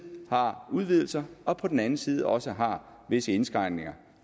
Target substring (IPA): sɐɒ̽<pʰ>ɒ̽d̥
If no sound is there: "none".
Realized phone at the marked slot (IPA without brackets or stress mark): pʰ